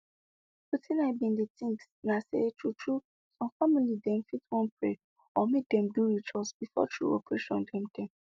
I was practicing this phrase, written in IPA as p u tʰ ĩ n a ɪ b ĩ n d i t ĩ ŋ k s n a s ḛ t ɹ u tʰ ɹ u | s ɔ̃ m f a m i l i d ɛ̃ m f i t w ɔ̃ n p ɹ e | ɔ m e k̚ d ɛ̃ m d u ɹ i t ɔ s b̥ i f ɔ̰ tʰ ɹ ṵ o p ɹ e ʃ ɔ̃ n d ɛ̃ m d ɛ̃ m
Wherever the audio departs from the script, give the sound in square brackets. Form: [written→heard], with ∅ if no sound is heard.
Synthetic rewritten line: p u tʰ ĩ n a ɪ b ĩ n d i t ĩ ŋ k s n a s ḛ t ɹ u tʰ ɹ u | s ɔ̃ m f a m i l i d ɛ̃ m f i t w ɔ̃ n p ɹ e | ɔ m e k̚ d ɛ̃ m d u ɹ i [t→t͡ʃ] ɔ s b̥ i f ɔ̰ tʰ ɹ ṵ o p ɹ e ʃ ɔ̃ n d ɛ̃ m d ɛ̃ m